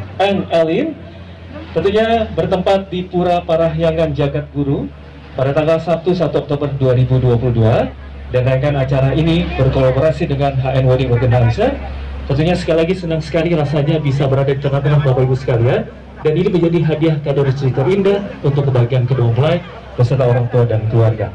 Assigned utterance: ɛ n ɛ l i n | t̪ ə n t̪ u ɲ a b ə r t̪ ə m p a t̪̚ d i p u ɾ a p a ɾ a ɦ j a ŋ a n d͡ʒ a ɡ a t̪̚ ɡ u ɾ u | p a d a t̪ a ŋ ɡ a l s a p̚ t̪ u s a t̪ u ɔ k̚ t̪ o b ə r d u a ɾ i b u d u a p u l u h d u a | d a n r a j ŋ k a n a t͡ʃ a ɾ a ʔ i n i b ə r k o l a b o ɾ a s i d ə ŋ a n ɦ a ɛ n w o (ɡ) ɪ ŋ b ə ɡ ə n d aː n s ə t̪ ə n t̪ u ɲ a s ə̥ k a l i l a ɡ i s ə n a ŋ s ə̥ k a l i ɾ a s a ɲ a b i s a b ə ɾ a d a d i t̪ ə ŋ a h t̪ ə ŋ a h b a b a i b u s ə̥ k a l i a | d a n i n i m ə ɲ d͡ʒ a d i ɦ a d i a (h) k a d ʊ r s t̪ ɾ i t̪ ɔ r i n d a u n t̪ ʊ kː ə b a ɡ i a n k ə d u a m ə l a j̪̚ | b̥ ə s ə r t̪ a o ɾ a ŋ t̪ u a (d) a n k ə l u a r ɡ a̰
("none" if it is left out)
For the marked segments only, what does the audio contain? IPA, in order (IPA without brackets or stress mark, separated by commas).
d, h, d